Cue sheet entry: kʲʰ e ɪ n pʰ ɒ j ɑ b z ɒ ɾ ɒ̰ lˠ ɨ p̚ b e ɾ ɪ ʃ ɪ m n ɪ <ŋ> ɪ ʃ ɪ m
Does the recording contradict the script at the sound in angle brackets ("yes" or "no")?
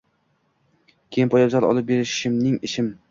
no